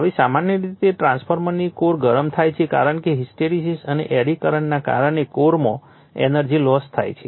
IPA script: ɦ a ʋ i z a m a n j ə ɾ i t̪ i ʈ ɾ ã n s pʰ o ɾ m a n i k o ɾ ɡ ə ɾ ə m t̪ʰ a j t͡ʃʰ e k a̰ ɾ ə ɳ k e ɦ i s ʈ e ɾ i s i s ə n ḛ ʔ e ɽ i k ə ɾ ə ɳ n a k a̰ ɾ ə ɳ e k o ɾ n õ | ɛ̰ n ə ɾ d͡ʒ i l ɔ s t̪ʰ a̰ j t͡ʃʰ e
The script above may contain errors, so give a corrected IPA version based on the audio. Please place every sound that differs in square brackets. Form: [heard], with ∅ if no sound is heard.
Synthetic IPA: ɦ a ʋ i [s] a m a n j ə ɾ i t̪ [e] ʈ ɾ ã n s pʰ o ɾ m [ə] n i k o ɾ ɡ ə ɾ ə m t̪ʰ a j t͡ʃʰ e k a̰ ɾ ə ɳ k e ɦ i s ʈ e ɾ i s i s ə n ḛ ʔ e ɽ i k ə ɾ ə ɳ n a k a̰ ɾ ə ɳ e k o ɾ [m] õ | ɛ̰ n ə ɾ d͡ʒ i l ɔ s t̪ʰ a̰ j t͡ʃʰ e